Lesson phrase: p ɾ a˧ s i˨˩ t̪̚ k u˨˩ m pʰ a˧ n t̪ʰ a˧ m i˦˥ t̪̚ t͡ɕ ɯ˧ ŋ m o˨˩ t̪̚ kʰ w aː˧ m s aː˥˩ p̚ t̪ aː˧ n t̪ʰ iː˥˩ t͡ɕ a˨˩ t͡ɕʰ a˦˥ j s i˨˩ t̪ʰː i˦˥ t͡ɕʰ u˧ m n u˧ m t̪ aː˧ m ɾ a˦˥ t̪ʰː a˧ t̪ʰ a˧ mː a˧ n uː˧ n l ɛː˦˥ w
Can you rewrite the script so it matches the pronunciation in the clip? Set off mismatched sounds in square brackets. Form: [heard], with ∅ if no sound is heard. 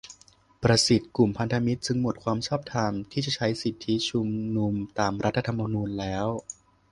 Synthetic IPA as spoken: p ɾ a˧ s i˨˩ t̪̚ k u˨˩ m pʰ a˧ n t̪ʰ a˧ m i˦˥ t̪̚ t͡ɕ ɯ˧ ŋ m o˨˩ t̪̚ kʰ w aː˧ m s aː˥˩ p̚ [t̪ʰ] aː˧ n t̪ʰ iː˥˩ t͡ɕ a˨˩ t͡ɕʰ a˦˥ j s i˨˩ t̪ʰː i˦˥ t͡ɕʰ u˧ m n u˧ m t̪ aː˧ m ɾ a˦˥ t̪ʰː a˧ t̪ʰ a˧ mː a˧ n uː˧ n l ɛː˦˥ w